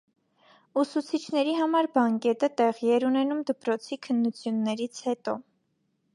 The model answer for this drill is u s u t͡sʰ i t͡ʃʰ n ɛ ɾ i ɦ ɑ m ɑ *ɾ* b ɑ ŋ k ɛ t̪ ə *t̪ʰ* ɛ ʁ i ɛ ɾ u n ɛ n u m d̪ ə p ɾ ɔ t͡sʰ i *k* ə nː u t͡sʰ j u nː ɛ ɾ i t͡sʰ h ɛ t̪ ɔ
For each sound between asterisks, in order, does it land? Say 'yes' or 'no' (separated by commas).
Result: yes, no, no